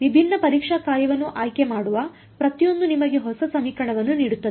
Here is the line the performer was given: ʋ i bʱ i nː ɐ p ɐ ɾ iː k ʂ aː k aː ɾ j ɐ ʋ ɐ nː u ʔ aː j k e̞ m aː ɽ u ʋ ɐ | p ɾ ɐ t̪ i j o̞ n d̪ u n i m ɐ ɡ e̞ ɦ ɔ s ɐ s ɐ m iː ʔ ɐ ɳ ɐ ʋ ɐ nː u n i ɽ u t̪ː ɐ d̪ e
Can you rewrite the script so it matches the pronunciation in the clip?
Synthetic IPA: ʋ i bʱ i nː ɐ p ɐ ɾ iː k ʂ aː k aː ɾ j ɐ ʋ ɐ nː u ʔ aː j k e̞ m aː ɽ u ʋ ɐ | p ɾ ɐ t̪ i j o̞ n d̪ u n i m ɐ ɡ e̞ ɦ ɔ s ɐ s ɐ m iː k ɐ ɳ ɐ ʋ ɐ nː u n iː ɽ u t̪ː ɐ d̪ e